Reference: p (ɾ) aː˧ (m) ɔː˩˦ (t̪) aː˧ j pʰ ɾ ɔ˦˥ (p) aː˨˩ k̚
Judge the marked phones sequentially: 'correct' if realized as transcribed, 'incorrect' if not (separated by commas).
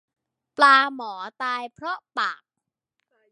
incorrect, correct, correct, correct